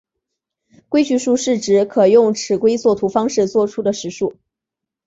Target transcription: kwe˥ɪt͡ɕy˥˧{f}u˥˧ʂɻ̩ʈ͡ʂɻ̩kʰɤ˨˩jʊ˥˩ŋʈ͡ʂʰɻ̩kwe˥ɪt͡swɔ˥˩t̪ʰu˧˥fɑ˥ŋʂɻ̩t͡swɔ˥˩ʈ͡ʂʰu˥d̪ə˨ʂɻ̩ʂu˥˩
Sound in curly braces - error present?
yes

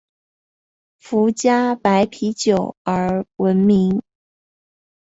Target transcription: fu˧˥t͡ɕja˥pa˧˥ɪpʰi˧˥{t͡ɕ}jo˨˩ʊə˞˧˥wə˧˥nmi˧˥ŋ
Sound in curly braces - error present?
no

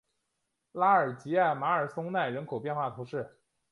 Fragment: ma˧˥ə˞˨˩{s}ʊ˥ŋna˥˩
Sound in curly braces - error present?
no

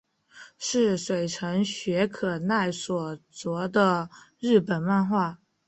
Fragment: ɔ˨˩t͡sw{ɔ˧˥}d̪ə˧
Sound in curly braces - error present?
no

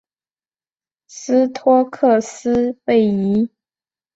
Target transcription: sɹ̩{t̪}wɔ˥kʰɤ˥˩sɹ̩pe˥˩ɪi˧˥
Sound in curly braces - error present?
yes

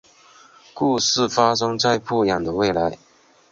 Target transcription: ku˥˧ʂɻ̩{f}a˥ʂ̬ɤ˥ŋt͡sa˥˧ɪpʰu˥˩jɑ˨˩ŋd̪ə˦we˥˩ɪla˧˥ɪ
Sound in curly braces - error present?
no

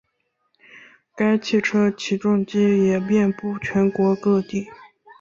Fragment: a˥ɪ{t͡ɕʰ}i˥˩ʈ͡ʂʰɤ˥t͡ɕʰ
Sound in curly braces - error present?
no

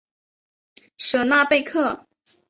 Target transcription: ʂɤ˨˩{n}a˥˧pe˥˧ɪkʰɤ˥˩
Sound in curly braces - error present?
no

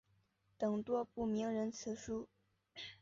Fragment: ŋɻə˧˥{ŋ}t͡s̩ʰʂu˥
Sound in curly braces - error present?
yes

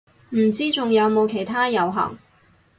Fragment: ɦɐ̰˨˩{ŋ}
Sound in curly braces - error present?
no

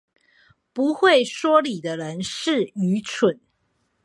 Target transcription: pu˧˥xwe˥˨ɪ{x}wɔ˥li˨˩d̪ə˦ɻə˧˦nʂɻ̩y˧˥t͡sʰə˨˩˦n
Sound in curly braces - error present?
yes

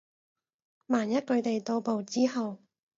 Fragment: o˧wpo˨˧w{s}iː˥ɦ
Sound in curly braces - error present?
yes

